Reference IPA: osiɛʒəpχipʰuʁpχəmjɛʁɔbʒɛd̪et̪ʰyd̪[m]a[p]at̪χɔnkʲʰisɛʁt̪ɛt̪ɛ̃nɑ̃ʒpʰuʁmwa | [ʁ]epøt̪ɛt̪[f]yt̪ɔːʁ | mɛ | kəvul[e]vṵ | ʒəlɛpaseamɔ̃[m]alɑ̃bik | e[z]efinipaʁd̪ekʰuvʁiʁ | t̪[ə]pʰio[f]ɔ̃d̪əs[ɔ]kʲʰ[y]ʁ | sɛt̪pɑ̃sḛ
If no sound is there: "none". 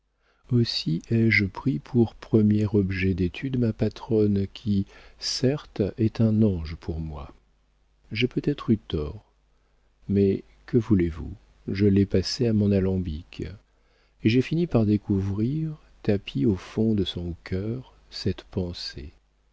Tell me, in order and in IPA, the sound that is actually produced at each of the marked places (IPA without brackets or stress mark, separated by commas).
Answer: m, p, ʒ, χ, e, n, ʒ, a, f, ɔ̃, œ